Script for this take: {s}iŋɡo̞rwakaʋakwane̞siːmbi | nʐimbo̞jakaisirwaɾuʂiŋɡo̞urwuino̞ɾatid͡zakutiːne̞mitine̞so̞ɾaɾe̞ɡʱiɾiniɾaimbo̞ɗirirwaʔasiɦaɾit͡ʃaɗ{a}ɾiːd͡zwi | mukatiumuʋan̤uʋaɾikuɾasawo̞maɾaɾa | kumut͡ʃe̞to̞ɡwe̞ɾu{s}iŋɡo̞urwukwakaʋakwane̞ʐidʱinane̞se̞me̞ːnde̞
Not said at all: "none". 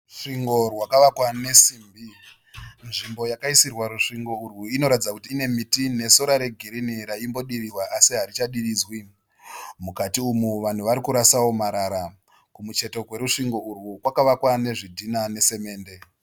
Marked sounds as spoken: ʂ, i, ʂ

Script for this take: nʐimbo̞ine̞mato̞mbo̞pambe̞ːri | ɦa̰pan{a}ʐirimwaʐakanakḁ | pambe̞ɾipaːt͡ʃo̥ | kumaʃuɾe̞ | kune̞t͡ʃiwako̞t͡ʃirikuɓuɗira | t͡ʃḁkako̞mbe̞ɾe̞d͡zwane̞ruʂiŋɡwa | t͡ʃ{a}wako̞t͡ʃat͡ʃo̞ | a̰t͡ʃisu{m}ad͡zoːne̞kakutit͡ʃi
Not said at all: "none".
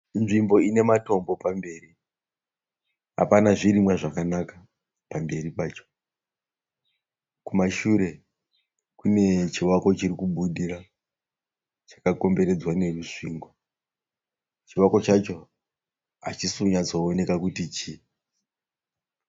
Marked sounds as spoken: a, i, ɲ

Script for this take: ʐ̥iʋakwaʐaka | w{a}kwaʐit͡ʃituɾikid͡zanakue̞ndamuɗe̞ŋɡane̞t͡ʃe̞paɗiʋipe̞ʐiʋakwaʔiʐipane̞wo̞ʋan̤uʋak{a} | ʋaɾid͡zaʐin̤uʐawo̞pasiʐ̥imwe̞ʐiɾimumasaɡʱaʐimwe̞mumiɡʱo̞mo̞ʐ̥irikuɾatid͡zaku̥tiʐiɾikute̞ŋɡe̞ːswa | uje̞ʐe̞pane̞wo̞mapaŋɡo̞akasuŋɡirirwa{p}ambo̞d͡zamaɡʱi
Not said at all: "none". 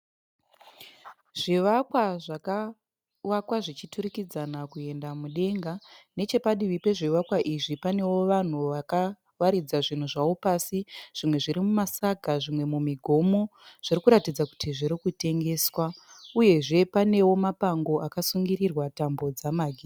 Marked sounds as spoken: a, a, t

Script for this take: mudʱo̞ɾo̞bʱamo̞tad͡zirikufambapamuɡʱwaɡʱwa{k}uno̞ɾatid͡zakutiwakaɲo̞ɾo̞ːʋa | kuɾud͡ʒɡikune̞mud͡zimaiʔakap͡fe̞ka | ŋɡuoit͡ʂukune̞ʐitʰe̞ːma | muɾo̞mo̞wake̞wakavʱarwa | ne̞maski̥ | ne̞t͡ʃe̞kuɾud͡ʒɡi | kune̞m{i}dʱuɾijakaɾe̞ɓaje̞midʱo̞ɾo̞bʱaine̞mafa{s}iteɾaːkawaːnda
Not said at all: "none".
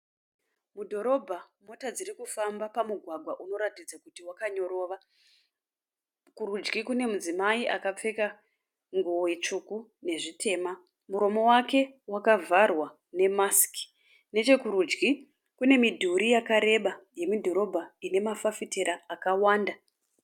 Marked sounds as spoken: ʔ, i, f

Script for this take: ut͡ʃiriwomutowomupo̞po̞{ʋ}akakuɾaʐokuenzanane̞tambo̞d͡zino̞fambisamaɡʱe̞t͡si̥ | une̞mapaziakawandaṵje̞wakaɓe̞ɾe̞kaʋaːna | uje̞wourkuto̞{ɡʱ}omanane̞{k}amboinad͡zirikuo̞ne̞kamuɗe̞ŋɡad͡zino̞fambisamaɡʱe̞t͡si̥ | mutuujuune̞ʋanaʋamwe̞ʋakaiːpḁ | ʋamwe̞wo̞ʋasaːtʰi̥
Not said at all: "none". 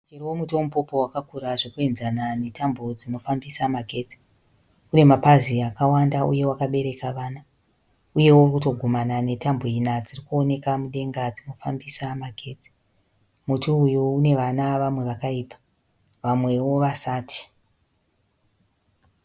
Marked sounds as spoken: w, ɡʱ, t

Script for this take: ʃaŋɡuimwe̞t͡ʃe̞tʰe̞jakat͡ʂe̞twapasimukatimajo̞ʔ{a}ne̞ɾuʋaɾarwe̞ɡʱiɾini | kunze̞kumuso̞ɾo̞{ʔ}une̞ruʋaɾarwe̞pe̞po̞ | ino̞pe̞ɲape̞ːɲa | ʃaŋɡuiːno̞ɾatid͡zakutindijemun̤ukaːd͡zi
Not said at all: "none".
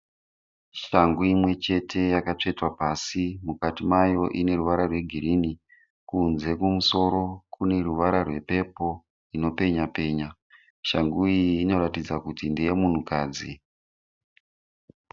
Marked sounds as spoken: i, k

